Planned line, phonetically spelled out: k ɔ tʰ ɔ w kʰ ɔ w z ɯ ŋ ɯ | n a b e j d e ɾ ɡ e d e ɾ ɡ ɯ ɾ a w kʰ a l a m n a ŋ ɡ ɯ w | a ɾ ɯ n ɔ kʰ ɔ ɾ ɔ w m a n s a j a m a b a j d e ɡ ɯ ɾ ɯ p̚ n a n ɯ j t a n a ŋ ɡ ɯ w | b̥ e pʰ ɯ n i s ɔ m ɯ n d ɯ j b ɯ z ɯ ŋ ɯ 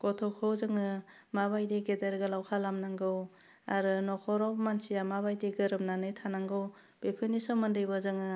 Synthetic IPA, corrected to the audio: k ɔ tʰ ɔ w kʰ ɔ w z ɯ ŋ ɯ | m a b a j d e ɡ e d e ɾ ɡ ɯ l a w kʰ a l a m n a ŋ ɡ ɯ w | a ɾ ɯ n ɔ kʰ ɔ ɾ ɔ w m a n s i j a m a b a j d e ɡ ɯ ɾ ɯ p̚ n a n ɯ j tʰ a n a ŋ ɡ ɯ w | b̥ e pʰ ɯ n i s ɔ m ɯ n d ɯ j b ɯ z ɯ ŋ ɯ